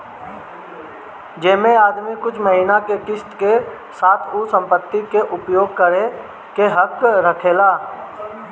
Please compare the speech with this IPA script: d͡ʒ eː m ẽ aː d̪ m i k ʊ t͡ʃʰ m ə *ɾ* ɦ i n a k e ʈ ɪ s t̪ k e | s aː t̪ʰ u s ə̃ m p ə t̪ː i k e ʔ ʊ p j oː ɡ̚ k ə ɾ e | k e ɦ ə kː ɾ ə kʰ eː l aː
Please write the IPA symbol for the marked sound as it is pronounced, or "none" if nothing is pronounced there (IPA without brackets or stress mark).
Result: none